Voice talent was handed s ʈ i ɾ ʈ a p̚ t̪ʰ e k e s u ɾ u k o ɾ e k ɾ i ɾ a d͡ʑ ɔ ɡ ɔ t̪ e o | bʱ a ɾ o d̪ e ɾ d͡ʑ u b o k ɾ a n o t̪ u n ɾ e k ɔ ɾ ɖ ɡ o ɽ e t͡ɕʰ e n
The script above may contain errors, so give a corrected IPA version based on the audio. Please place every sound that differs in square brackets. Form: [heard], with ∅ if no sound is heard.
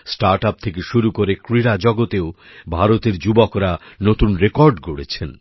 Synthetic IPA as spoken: s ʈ [a] ɾ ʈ a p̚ t̪ʰ e k e [ʃ] u ɾ u k o ɾ e k ɾ i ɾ a d͡ʑ ɔ ɡ [o] t̪ e o | bʱ a ɾ o [t̪] e ɾ d͡ʑ u b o k ɾ a n o t̪ u n ɾ e k ɔ ɾ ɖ ɡ o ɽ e t͡ɕʰ e n